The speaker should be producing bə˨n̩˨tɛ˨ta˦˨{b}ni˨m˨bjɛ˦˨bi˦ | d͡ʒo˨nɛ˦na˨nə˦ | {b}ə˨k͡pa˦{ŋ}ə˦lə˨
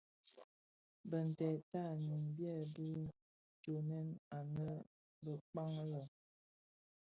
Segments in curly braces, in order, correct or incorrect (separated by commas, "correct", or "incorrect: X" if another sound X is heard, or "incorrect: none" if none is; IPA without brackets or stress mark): incorrect: none, correct, correct